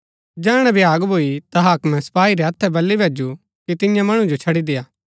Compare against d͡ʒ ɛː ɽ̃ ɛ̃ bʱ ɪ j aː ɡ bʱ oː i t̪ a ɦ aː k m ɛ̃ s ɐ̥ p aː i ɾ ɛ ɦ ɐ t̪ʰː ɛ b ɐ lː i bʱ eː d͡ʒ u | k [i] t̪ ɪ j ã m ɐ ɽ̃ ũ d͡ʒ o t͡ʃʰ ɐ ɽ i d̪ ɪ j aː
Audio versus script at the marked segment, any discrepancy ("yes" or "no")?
no